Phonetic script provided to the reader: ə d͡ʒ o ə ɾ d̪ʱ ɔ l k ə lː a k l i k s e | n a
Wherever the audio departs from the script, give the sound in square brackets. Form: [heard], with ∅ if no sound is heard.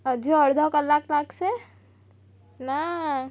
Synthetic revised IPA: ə d͡ʒ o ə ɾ d̪ʱ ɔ [∅] k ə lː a k l [a] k s e | n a